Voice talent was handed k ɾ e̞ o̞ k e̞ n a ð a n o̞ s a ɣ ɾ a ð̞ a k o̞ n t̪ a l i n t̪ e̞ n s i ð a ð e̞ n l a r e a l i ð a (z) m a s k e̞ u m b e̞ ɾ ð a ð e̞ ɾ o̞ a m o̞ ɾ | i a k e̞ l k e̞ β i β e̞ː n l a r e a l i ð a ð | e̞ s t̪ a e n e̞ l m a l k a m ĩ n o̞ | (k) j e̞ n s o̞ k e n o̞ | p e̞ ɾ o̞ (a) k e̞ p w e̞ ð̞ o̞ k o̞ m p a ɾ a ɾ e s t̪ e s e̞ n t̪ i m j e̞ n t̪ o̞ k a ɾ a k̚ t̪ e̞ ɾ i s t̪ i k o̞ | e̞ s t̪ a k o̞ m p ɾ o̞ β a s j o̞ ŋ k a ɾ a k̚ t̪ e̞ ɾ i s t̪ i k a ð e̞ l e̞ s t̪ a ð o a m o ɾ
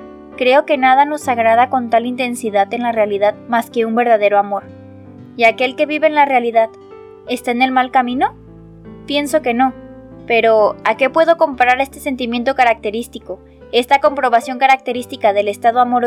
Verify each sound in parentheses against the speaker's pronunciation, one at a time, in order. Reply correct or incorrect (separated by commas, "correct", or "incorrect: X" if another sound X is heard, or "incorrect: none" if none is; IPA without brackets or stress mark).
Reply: incorrect: ð, incorrect: p, correct